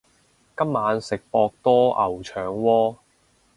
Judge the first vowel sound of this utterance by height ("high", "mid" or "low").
low